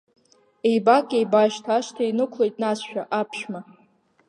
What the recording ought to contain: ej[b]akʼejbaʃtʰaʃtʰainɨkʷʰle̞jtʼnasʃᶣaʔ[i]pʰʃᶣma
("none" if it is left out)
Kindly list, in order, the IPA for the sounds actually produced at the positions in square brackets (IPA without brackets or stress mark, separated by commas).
b, a